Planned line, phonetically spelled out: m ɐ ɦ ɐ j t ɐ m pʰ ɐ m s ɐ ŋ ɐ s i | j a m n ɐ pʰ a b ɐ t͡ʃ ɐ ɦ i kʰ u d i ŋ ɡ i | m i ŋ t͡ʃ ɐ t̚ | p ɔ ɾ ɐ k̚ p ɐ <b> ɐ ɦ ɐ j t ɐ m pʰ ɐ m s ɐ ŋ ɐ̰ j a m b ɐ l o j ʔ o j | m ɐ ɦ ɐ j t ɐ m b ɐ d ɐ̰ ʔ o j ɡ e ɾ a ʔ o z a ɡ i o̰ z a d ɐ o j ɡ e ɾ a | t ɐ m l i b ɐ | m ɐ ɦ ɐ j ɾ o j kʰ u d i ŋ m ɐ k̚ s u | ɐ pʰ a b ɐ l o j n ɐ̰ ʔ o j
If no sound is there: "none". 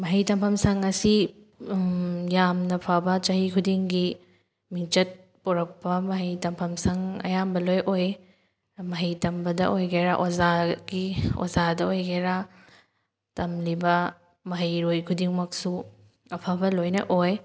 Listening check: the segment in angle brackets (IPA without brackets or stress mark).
m